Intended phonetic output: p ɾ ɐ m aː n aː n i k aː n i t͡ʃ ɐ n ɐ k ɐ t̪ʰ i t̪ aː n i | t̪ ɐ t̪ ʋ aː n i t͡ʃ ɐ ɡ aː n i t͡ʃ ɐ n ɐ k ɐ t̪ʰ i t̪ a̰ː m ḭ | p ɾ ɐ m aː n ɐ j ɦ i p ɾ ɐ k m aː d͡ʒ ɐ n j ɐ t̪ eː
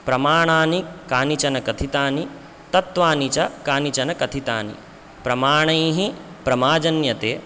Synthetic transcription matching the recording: p ɾ ɐ m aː ɳ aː n i k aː n i t͡ʃ ɐ n ɐ k ɐ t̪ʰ i t̪ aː n i | t̪ ɐ t̪ ʋ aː n i t͡ʃ ɐ k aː n i t͡ʃ ɐ n ɐ k ɐ t̪ʰ i t̪ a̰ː n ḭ | p ɾ ɐ m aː ɳ ɐ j ɦ i p ɾ ɐ m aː d͡ʒ ɐ n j ɐ t̪ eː

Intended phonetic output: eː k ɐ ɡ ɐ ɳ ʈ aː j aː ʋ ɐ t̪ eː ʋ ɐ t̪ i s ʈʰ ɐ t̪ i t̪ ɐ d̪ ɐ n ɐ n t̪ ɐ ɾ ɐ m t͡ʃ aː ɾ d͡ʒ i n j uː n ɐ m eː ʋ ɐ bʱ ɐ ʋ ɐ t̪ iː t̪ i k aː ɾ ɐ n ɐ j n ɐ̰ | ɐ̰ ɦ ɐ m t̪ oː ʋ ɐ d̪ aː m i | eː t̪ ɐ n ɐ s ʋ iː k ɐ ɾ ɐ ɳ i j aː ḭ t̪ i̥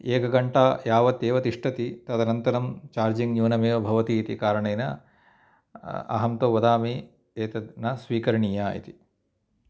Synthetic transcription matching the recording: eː k ɐ ɡ ɐ ɳ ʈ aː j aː ʋ ɐ t̪ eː ʋ ɐ t̪ i ʂ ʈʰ ɐ t̪ i t̪ ɐ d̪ ɐ n ɐ n t̪ ɐ ɾ ɐ m t͡ʃ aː ɾ d͡ʒ i ŋ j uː n ɐ m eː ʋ ɐ bʱ ɐ ʋ ɐ t̪ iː t̪ i k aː ɾ ɐ ɳ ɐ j n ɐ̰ | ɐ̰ ɦ ɐ m t̪ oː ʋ ɐ d̪ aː m i | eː t̪ ɐ n ɐ s ʋ iː k ɐ ɾ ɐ ɳ i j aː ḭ t̪ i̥

